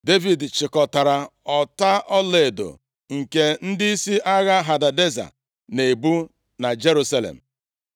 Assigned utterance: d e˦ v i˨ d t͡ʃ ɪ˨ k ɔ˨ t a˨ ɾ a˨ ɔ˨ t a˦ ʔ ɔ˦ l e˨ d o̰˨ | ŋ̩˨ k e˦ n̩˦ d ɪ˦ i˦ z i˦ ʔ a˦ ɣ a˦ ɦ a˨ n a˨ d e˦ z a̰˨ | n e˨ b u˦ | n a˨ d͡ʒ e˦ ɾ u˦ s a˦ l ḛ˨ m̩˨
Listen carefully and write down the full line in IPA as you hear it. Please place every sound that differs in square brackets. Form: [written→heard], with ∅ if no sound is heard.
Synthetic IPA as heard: d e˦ v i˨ d t͡ʃ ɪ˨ k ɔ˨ t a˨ ɾ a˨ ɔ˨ t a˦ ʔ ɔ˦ l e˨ d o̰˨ | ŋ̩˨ k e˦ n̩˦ d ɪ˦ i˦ [z→s] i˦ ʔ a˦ ɣ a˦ ɦ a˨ [n→d] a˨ d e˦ z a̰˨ | n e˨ b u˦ | n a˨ d͡ʒ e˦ ɾ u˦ s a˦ l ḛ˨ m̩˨